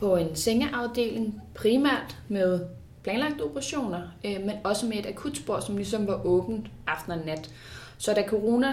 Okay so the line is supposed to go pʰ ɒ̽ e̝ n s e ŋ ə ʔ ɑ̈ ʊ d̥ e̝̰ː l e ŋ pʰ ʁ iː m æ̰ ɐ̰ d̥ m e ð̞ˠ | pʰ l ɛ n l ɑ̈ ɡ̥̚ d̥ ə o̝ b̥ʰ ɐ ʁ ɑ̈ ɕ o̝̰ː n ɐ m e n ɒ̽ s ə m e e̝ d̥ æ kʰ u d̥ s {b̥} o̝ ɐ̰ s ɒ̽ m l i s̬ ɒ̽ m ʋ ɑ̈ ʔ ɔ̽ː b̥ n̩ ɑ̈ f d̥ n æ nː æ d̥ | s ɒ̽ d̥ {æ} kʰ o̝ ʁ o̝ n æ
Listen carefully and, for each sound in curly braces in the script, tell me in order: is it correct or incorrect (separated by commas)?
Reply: correct, correct